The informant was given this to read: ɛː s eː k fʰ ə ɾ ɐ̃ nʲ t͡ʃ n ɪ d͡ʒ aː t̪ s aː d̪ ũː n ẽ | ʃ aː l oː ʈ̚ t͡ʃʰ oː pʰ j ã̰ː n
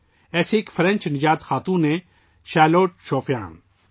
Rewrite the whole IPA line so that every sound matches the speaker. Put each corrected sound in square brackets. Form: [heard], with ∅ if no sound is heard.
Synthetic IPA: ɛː s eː k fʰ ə ɾ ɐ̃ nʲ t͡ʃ n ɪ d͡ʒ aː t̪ [x] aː [t̪] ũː n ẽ | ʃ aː l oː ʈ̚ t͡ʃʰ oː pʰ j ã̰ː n